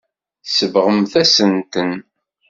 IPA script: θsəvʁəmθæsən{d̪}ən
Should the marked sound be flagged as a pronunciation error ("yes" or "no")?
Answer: yes